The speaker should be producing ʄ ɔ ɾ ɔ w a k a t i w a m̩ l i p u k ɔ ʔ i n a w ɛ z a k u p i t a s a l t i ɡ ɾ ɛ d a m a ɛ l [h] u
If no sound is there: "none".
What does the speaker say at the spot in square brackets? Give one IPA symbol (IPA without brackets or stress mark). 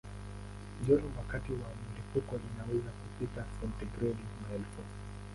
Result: f